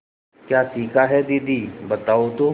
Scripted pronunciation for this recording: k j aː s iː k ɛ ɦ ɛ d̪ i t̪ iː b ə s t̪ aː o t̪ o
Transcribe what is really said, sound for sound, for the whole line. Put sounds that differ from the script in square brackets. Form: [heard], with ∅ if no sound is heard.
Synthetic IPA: k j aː s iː k [a] ɦ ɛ d̪ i [d̪] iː b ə [∅] t̪ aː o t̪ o